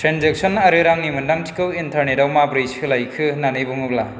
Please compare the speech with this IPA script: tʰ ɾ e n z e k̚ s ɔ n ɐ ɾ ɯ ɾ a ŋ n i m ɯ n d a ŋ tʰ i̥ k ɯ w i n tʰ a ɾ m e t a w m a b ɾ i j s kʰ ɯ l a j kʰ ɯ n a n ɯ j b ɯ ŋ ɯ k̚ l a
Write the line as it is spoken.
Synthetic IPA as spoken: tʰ ɾ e n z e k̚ s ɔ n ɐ ɾ ɯ ɾ a ŋ n i m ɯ n d a ŋ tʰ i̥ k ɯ w i n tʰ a ɾ n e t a w m a b ɾ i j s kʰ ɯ l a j kʰ ɯ n a n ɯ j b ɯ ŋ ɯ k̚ l a